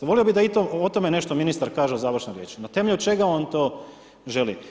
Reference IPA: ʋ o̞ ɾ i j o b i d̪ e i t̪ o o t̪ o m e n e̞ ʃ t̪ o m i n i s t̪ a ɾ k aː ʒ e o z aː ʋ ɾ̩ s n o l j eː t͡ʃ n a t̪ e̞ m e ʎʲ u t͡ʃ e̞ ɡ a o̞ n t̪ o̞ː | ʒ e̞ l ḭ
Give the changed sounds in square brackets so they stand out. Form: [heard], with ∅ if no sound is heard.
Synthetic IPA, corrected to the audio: ʋ o̞ [l] i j o b i d̪ [a] i t̪ o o t̪ o m e n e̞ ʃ t̪ o m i n i s t̪ a ɾ k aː ʒ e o z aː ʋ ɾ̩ [ʃ] n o [ɾ] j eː t͡ʃ n a t̪ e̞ m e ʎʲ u t͡ʃ e̞ ɡ a o̞ n t̪ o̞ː | ʒ e̞ l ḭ